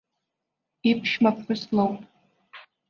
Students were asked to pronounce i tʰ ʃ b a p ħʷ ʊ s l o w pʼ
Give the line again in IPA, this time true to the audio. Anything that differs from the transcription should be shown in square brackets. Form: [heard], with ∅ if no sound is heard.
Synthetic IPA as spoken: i [pʰ] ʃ [m] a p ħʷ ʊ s l o w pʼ